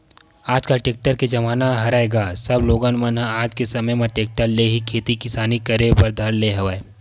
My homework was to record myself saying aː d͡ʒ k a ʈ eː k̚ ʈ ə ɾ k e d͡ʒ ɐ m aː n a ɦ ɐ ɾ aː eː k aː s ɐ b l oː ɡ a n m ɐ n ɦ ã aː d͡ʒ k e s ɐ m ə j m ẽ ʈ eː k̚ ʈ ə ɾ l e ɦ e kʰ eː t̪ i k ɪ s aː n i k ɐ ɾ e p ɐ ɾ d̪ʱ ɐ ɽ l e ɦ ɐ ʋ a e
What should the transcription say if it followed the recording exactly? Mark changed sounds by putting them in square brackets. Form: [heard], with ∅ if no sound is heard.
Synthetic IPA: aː d͡ʒ k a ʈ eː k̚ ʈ ə ɾ k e d͡ʒ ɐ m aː n a ɦ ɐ ɾ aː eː [ɡ] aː s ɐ b l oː ɡ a n m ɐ n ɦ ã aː d͡ʒ k e s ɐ m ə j m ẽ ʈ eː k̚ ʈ ə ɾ l e ɦ [i] kʰ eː t̪ i k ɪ s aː n i k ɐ ɾ e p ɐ ɾ d̪ʱ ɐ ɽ l e ɦ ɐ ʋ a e